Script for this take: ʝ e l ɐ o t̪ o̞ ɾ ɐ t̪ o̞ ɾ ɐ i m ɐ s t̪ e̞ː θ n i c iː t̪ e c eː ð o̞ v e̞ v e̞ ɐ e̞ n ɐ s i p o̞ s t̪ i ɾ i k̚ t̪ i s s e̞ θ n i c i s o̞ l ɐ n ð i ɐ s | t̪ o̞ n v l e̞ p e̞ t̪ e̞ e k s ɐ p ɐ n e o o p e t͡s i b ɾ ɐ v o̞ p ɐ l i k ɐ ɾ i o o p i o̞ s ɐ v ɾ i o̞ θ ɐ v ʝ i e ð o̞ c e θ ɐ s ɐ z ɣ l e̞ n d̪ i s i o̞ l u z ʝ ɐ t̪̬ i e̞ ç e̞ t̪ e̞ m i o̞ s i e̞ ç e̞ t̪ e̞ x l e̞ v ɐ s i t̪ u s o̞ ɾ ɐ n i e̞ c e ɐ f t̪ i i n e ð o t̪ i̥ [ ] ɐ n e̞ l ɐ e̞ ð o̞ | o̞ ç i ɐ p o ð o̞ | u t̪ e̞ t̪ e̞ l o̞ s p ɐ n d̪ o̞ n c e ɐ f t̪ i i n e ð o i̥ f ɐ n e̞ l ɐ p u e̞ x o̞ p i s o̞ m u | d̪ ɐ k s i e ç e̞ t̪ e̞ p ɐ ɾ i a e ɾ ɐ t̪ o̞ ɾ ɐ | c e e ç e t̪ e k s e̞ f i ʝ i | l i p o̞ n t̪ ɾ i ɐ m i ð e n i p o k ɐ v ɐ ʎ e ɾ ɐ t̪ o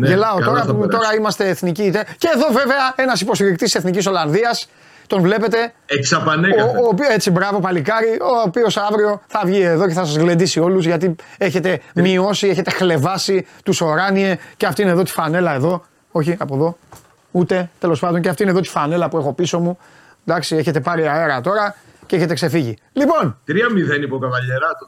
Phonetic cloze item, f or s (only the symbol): f